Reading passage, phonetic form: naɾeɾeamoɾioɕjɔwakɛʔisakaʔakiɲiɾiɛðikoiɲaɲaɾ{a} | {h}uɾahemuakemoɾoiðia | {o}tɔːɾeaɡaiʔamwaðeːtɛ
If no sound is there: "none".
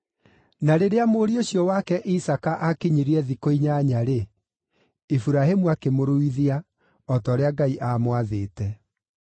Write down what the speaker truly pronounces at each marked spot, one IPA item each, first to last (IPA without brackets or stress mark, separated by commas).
e, f, ɔ